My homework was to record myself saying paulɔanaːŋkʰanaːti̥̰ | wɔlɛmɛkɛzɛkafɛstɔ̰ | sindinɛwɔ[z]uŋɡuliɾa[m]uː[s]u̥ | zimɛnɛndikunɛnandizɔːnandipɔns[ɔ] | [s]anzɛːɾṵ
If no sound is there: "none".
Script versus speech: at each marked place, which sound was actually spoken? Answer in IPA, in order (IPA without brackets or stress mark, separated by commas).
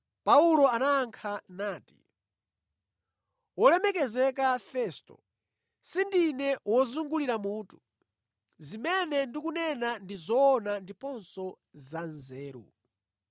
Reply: z, m, t, ɔ, z